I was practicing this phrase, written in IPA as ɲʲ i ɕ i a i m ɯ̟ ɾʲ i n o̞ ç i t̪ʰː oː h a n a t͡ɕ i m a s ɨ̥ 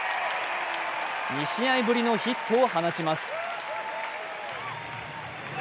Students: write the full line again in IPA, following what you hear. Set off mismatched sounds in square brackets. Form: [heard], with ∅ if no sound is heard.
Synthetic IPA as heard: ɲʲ i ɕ i a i [b] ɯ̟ ɾʲ i n o̞ ç i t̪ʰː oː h a n a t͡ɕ i m a s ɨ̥

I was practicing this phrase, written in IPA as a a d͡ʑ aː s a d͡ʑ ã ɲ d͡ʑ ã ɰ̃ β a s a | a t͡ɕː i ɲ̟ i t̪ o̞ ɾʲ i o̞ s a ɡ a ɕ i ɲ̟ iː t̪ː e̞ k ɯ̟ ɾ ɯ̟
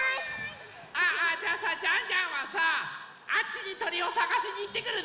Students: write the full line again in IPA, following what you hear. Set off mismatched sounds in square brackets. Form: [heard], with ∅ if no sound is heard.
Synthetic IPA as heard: a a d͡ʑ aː s a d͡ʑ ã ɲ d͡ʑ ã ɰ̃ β a s a | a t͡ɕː i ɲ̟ i t̪ o̞ ɾʲ i o̞ s a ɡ a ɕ i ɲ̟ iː t̪ː e̞ k ɯ̟ ɾ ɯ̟

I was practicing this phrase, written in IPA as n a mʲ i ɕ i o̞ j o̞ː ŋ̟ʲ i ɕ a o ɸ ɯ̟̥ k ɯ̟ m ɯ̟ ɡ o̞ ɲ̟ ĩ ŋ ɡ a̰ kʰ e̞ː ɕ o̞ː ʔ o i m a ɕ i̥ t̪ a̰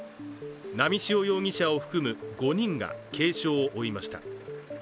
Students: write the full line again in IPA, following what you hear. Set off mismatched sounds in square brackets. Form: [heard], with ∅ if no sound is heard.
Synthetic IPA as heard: n a mʲ i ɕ i o̞ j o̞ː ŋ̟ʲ i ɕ a o ɸ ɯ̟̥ k ɯ̟ m ɯ̟ ɡ o̞ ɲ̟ ĩ ŋ ɡ a̰ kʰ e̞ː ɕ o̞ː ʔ o i m a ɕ i̥ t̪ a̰

